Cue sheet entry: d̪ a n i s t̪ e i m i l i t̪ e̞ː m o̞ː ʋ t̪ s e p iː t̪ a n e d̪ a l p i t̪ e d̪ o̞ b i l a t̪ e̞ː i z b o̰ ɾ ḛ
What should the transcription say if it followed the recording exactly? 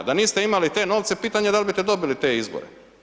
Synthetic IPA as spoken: d̪ a n iː s t̪ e i m a l i t̪ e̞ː n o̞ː ʋ t̪ s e p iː t̪ a ɲ e d̪ a l b i t̪ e d̪ o̞ b i l i t̪ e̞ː i z b o̰ ɾ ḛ